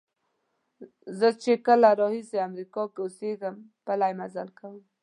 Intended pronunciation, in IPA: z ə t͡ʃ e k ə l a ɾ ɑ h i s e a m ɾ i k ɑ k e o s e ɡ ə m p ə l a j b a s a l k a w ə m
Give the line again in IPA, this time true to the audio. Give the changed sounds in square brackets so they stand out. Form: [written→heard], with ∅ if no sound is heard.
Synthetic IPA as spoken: z ə t͡ʃ e k ə l a ɾ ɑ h i s e a m ɾ i k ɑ k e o s e ɡ ə m p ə l a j [b→m] a [s→z] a l k a w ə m